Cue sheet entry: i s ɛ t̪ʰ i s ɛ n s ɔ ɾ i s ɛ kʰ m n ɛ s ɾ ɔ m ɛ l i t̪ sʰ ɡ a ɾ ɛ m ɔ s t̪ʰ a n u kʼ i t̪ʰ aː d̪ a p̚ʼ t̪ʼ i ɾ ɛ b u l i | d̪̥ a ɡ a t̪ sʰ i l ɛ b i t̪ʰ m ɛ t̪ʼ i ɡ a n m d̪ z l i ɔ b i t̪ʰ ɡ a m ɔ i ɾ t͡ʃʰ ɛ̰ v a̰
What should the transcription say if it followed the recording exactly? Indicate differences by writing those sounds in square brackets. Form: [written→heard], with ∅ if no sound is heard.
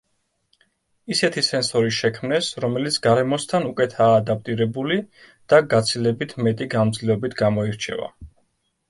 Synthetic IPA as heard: i s ɛ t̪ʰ i s ɛ n s ɔ ɾ i [s→ʃ] ɛ kʰ m n ɛ s ɾ ɔ m ɛ l i t̪ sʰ ɡ a ɾ ɛ m ɔ s t̪ʰ a n u kʼ [i→ɛ] t̪ʰ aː d̪ a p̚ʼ t̪ʼ i ɾ ɛ b u l i | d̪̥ a ɡ a t̪ sʰ i l ɛ b i t̪ʰ m ɛ t̪ʼ i ɡ a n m d̪ z l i ɔ b i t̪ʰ ɡ a m ɔ i ɾ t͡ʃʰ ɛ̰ v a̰

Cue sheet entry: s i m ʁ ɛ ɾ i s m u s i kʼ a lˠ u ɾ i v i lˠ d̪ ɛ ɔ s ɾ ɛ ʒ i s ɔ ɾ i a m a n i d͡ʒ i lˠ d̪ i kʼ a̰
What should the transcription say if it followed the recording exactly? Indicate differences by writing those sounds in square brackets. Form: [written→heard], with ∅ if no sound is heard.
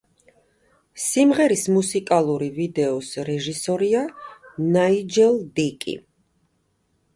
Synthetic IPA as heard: s i m ʁ ɛ ɾ i s m u s i kʼ a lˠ u ɾ i v i [lˠ→∅] d̪ ɛ ɔ s ɾ ɛ ʒ i s ɔ ɾ i a [m→n] a [n→∅] i d͡ʒ [i→ɛ] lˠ d̪ i kʼ [a̰→ḭ]

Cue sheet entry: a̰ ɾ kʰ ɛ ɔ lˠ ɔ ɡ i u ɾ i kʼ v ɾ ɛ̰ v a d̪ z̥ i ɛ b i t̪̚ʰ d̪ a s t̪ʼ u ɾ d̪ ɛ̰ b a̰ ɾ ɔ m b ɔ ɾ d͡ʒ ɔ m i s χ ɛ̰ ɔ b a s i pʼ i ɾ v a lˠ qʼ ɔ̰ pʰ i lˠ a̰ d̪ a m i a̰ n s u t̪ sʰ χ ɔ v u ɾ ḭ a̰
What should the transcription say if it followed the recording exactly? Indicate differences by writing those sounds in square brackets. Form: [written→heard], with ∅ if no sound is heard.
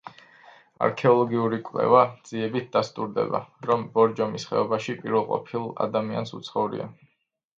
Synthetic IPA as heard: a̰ ɾ kʰ ɛ ɔ lˠ ɔ ɡ i u ɾ i kʼ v [ɾ→l] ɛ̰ v a d̪ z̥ i ɛ b i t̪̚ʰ d̪ a s t̪ʼ u ɾ d̪ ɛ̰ b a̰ ɾ ɔ m b ɔ ɾ d͡ʒ ɔ m i s χ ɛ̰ ɔ b a [s→ʃ] i pʼ i ɾ v [a→ɛ] lˠ qʼ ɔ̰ pʰ i lˠ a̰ d̪ a m i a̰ n s u t̪ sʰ χ ɔ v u ɾ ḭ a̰

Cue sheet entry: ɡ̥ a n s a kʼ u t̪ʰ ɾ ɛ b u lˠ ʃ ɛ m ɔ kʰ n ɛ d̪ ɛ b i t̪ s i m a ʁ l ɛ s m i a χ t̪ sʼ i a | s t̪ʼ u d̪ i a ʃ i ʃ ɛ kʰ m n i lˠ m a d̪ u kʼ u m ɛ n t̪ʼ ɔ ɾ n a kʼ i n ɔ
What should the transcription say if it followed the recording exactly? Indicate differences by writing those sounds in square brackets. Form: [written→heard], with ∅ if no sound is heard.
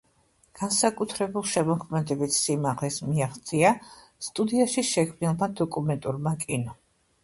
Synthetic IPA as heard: ɡ̥ a n s a kʼ u t̪ʰ ɾ ɛ b u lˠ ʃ ɛ m ɔ kʰ [n→m] ɛ d̪ ɛ b i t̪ s i m a ʁ l ɛ s m i a χ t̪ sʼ i a | s t̪ʼ u d̪ i a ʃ i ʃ ɛ kʰ m n i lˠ m a d̪ [u→ɔ] kʼ u m ɛ n t̪ʼ [ɔ→u] ɾ [n→m] a kʼ i n ɔ

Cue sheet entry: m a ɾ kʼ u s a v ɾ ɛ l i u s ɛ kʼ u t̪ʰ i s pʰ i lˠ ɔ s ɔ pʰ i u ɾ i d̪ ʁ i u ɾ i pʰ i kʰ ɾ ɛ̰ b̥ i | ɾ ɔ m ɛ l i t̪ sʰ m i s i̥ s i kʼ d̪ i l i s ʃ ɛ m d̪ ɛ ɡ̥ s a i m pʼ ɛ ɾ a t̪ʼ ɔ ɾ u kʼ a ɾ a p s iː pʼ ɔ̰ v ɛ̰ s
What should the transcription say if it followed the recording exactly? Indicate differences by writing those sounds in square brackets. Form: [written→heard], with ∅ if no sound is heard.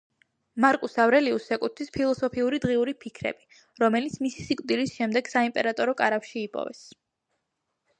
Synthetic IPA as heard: m a ɾ kʼ u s a v ɾ ɛ l i u s ɛ kʼ u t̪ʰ i s pʰ i lˠ ɔ s ɔ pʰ i u ɾ i d̪ ʁ i u ɾ i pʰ i kʰ ɾ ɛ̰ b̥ i | ɾ ɔ m ɛ l i t̪ sʰ m i s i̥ s i kʼ d̪ i l i s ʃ ɛ m d̪ ɛ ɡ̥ s a i m pʼ ɛ ɾ a t̪ʼ ɔ ɾ [u→ɔ] kʼ a ɾ a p [s→ʃ] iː pʼ ɔ̰ v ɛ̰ s

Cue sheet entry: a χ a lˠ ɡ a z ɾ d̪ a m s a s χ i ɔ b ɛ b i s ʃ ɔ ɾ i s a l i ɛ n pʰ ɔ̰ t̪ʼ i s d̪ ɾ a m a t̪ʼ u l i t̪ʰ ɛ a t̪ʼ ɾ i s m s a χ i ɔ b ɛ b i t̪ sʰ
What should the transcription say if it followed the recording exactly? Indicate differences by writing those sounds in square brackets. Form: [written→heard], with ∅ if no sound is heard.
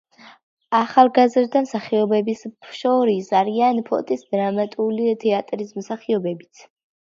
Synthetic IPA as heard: a χ a lˠ ɡ a z ɾ d̪ a m s a [s→∅] χ i ɔ b ɛ b i s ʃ ɔ ɾ i s a [l→ɾ] i [ɛ→a] n pʰ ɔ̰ t̪ʼ i s d̪ ɾ a m a t̪ʼ u l i t̪ʰ ɛ a t̪ʼ ɾ i s m s a χ i ɔ b ɛ b i t̪ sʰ

